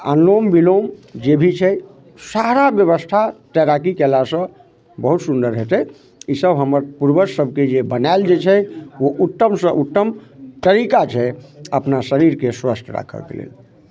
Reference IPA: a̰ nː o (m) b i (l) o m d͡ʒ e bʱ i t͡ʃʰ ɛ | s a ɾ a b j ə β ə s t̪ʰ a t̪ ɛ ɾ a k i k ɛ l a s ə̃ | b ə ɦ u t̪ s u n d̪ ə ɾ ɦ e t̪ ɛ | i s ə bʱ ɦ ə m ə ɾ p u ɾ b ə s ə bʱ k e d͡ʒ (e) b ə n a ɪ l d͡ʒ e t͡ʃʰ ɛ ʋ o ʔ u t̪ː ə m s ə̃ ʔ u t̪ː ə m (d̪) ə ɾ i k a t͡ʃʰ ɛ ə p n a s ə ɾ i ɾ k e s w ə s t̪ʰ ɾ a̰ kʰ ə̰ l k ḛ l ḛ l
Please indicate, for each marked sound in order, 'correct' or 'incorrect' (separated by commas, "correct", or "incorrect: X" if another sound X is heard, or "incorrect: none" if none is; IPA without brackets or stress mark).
correct, correct, correct, incorrect: t̪